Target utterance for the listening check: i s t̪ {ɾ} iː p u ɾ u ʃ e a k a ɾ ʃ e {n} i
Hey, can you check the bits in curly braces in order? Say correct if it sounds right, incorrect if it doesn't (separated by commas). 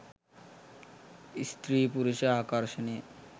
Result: correct, correct